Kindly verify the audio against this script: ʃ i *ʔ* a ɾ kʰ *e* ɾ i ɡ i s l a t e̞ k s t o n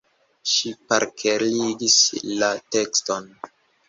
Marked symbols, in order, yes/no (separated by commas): no, yes